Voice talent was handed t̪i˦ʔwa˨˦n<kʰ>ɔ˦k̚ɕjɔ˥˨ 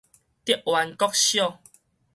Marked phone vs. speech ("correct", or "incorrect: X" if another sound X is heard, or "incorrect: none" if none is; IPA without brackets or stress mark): incorrect: k